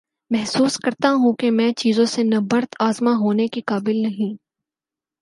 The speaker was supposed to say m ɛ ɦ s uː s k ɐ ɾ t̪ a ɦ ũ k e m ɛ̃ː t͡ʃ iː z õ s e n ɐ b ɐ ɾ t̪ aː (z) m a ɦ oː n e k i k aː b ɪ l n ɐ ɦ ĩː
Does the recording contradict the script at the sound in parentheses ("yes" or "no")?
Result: no